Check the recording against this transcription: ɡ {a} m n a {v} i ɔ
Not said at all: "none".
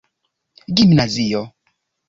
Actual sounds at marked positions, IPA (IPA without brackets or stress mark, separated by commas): i, z